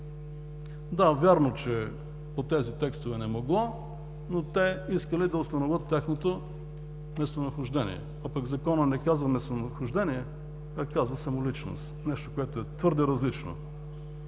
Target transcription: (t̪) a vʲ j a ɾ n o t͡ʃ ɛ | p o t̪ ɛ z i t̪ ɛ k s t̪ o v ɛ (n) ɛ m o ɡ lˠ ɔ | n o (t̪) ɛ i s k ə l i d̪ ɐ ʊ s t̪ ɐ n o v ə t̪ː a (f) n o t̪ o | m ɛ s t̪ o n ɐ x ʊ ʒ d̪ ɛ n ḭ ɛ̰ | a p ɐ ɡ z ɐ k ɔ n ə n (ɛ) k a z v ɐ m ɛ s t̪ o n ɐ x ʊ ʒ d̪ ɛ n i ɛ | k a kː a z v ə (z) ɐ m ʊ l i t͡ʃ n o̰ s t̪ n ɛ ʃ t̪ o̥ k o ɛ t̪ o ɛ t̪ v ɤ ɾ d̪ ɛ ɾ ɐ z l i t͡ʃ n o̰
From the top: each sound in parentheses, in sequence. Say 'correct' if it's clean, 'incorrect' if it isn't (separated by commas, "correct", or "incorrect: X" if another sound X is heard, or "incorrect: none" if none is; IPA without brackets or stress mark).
incorrect: d̪, correct, correct, incorrect: x, correct, incorrect: s